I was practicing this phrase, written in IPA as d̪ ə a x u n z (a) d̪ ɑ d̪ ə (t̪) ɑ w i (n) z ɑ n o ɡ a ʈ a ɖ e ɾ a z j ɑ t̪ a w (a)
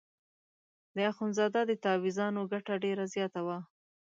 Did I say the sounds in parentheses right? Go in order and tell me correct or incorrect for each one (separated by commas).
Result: incorrect, correct, incorrect, correct